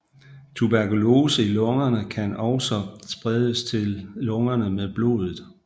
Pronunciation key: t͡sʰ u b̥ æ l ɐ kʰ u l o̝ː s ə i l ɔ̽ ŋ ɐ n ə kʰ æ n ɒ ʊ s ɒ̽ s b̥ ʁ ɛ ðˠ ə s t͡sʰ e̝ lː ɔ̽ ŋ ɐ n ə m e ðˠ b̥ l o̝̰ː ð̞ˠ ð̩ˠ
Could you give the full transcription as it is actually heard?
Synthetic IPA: t͡sʰ u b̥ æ ɐ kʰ u l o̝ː s ə i l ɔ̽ ŋ ɐ n ə kʰ æ n ɒ ʊ s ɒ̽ s b̥ ʁ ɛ ðˠ ə s t͡sʰ e̝ lː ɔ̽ ŋ ɐ n ə m e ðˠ b̥ l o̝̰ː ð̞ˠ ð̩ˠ